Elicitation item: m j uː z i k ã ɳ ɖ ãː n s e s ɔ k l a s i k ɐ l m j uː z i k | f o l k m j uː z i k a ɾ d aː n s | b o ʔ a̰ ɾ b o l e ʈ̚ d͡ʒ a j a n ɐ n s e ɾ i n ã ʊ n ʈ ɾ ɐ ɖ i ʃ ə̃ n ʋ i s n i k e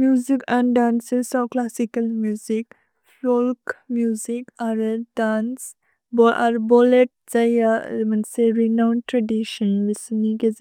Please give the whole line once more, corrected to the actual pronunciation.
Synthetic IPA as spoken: m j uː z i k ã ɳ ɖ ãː n s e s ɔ k l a s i k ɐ l m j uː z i k | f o l k m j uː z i k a ɾ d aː n s | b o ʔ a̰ ɾ b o l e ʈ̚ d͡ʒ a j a m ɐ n s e ɾ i n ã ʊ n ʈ ɾ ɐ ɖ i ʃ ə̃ n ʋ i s n i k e